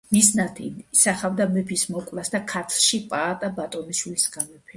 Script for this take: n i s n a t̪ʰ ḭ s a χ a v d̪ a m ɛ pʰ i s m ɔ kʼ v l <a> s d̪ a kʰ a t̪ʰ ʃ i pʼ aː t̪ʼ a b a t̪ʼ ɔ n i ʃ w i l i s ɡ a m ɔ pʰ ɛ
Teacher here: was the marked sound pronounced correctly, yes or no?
yes